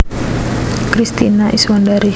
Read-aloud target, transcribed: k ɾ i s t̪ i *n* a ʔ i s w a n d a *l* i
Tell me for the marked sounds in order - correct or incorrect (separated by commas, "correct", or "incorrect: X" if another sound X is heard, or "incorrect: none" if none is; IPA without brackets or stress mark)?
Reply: correct, incorrect: ɾ